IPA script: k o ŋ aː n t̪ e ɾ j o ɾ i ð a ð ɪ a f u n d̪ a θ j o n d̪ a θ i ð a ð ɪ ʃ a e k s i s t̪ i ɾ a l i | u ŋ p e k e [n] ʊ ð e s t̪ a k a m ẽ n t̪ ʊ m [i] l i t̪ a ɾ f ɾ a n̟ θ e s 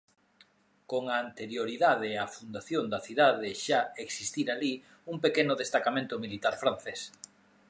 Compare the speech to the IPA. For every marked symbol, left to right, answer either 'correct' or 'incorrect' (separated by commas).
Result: correct, correct